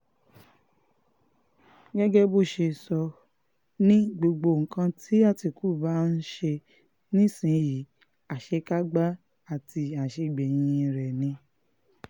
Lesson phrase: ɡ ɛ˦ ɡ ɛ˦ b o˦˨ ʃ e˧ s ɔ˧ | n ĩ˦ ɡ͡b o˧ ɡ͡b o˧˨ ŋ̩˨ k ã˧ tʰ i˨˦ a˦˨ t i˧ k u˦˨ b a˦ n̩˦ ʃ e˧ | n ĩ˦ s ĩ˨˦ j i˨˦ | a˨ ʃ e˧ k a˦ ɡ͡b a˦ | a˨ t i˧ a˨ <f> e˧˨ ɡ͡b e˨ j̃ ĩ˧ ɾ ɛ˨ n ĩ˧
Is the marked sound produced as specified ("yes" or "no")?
no